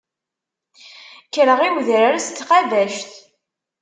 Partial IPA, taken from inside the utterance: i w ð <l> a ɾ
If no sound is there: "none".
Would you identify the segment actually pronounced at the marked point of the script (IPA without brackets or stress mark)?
ɾ